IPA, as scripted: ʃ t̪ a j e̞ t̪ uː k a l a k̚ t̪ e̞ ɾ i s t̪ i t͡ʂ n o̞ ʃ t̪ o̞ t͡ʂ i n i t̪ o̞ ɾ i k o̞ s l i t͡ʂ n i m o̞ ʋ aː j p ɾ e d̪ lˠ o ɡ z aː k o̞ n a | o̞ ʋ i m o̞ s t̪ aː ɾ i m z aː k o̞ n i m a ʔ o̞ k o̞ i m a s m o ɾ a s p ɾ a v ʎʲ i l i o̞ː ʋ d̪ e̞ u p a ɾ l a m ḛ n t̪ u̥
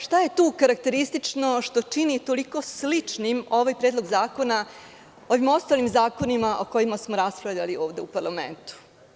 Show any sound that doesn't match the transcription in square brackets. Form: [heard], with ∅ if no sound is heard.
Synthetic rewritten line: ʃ t̪ a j e̞ t̪ uː k a [ɾ] a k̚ t̪ e̞ ɾ i s t̪ i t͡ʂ n o̞ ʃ t̪ o̞ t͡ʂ i n i t̪ o̞ [l] i k o̞ s l i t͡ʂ n i m o̞ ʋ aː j p ɾ e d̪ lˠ o ɡ z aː k o̞ n a | o̞ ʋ i m o̞ s t̪ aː [l] i m z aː k o̞ n i m a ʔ o̞ k o̞ i m a s m o ɾ a s p ɾ a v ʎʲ [a] l i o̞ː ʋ d̪ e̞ u p a ɾ l a m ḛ n t̪ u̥